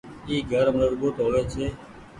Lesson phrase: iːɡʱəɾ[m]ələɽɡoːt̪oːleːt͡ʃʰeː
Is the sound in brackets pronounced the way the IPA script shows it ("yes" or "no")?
yes